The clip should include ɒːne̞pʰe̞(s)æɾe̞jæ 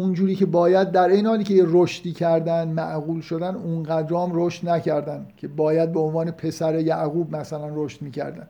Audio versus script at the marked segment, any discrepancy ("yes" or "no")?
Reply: no